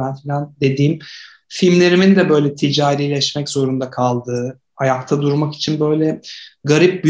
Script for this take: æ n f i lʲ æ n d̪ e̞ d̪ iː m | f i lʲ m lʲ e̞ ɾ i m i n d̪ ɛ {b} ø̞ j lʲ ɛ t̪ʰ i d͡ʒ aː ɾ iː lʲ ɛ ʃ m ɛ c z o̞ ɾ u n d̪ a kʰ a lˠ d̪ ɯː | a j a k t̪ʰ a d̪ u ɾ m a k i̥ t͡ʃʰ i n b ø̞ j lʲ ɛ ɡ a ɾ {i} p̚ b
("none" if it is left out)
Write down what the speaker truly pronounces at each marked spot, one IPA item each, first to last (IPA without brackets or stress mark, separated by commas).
b, i